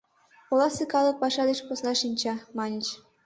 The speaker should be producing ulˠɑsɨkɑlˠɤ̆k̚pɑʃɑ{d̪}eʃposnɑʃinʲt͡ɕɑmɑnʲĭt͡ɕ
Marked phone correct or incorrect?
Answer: correct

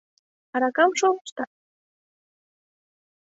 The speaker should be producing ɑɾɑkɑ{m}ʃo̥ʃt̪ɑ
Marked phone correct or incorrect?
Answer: correct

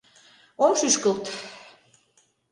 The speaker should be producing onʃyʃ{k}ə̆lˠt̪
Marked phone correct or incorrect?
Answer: correct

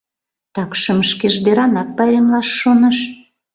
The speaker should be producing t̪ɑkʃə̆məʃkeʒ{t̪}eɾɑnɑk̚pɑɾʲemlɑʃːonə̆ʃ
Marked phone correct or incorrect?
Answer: incorrect: d̪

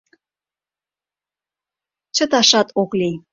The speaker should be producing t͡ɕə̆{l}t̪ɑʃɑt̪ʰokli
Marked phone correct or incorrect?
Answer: incorrect: none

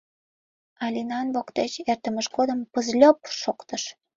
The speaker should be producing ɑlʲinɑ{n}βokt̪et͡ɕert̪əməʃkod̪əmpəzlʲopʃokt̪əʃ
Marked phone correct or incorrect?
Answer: correct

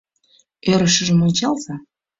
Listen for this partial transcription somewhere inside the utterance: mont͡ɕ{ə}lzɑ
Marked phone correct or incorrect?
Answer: incorrect: ɑ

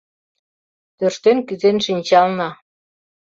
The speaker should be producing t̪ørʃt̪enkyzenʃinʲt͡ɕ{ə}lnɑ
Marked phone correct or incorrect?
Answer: incorrect: ɑ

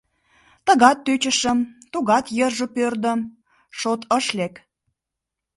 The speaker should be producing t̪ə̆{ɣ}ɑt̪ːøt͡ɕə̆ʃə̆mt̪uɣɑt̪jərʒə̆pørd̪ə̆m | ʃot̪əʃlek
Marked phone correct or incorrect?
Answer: correct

